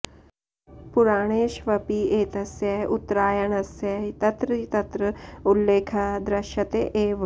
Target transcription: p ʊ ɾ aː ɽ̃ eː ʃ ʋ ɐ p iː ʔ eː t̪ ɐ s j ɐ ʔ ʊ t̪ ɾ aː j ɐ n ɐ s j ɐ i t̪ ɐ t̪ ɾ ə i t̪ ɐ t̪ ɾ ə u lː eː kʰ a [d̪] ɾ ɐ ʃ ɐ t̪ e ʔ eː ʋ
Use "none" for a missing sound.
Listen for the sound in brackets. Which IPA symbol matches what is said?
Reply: d̪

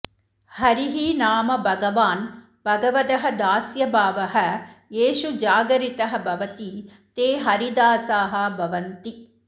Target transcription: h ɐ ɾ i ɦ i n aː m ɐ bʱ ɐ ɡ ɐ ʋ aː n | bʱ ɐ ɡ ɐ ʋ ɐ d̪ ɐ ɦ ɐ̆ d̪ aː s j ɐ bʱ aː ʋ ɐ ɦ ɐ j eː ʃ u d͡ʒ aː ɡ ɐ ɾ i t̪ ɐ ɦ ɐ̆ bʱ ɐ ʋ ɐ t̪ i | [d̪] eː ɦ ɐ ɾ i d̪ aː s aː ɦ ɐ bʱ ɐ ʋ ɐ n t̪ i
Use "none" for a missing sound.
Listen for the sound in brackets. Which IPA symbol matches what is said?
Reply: t̪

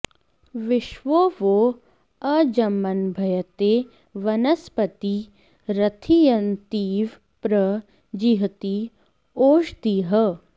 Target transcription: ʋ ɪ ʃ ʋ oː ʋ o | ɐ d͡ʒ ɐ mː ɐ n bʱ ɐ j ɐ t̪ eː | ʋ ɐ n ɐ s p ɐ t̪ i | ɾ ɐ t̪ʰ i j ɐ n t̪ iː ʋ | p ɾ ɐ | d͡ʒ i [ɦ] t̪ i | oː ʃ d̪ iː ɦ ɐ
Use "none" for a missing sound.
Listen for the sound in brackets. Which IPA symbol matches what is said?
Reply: ɦ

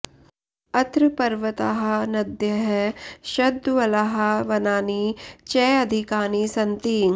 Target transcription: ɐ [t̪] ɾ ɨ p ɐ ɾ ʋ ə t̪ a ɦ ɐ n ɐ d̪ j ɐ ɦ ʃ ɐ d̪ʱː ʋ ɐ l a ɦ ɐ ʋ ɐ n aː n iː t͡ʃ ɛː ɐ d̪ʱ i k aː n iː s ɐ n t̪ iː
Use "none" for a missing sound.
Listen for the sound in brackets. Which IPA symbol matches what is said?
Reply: t̪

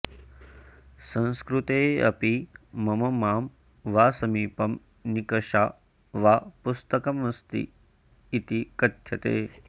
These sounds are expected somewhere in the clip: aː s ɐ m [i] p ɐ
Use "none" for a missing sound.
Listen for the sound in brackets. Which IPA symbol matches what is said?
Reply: iː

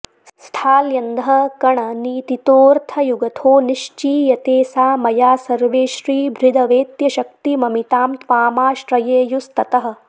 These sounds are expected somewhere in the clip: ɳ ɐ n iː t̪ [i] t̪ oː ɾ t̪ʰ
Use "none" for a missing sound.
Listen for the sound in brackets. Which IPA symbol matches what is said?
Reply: i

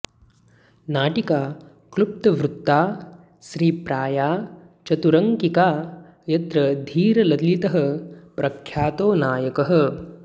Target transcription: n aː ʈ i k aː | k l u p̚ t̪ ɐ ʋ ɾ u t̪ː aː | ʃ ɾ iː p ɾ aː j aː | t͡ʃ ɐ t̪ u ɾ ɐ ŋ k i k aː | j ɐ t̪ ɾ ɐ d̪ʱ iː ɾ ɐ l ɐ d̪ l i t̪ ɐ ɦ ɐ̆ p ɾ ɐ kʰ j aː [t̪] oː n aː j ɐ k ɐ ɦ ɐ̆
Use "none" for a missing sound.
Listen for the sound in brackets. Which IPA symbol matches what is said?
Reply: t̪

